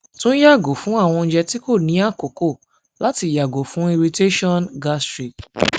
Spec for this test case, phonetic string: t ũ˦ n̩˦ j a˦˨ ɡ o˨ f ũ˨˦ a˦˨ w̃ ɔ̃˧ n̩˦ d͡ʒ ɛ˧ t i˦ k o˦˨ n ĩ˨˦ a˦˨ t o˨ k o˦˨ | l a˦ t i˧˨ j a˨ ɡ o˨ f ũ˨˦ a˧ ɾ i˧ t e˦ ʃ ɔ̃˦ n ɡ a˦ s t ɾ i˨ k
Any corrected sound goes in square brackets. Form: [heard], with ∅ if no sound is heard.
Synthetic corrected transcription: t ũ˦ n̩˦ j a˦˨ ɡ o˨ f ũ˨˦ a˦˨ w̃ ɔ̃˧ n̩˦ d͡ʒ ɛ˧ t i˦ k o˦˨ n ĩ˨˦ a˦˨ [k] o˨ k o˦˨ | l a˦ t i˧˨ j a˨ ɡ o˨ f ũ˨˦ [i˧] ɾ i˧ t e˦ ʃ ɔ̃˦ n ɡ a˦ s t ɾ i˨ k